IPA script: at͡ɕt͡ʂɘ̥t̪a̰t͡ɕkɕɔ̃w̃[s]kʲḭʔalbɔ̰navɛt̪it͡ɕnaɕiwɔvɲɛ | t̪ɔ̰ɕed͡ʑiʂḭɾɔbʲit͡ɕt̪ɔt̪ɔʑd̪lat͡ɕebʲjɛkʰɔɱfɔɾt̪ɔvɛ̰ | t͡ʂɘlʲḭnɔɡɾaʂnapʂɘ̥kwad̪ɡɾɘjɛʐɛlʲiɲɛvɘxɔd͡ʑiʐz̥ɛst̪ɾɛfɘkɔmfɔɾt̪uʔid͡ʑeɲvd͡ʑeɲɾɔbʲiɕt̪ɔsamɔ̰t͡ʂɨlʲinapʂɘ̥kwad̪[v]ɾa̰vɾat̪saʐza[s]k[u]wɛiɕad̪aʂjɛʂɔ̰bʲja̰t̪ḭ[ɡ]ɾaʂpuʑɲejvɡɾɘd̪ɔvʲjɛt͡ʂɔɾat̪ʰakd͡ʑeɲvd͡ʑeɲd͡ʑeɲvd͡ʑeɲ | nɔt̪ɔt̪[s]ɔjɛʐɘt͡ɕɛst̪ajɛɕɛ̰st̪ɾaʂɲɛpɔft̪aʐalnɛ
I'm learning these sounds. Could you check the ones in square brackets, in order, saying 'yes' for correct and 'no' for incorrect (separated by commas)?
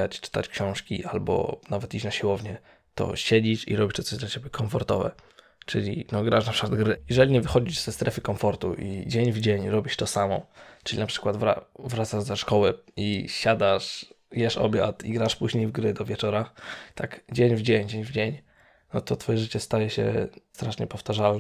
no, yes, no, no, yes, no